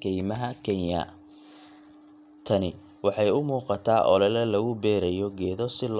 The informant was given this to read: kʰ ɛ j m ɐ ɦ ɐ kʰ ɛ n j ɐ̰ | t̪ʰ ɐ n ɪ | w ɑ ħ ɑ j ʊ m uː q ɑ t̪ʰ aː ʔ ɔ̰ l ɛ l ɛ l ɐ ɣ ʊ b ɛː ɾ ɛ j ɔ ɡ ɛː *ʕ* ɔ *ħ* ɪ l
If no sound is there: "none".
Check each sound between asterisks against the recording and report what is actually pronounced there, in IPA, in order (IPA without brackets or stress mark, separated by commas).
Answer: ð, s